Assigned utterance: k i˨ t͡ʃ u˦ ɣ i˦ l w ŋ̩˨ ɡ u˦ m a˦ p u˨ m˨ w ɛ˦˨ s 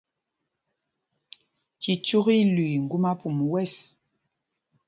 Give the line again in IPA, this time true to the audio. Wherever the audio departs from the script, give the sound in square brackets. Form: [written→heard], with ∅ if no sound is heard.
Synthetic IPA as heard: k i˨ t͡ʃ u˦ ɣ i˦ l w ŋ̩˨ ɡ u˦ m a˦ p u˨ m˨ w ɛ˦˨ s

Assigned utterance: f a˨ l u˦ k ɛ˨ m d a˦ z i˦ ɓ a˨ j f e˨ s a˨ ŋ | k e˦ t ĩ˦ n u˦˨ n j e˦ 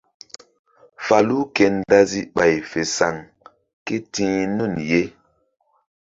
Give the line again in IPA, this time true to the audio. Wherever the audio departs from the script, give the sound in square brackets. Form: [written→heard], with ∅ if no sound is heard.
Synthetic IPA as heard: f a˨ l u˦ k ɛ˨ [m→n] d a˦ z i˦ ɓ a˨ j f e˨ s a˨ ŋ | k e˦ t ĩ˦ n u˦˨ n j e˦

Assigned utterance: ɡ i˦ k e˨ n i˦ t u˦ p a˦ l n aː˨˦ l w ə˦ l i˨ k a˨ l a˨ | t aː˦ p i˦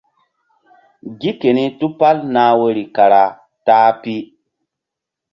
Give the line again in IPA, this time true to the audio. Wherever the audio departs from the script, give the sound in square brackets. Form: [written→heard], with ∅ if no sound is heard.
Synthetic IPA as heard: ɡ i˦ k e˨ n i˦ t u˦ p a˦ l n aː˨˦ [l→∅] w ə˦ [l→ɾ] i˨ k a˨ [l→ɾ] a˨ | t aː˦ p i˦

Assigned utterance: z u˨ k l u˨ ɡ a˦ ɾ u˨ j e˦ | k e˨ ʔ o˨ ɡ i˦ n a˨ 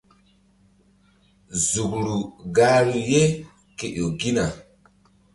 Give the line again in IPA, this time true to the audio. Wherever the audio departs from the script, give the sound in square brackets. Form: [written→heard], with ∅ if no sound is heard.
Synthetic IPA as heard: z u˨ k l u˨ ɡ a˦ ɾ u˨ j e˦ | k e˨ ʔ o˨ ɡ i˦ n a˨

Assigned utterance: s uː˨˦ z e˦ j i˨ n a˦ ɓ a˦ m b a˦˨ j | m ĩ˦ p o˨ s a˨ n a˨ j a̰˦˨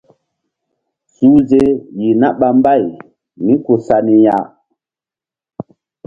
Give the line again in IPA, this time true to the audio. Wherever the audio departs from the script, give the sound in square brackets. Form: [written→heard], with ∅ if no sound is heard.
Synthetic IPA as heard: s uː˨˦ z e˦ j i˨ n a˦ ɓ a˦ m b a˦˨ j | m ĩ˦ [p→k] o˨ s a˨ n [a˨→i˨] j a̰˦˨

